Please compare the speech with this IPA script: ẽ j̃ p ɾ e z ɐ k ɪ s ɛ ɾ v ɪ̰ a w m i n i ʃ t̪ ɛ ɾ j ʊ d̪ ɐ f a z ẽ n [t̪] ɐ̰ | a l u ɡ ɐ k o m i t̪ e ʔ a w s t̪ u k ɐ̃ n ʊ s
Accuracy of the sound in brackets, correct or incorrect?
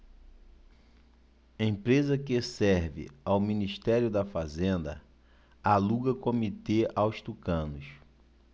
incorrect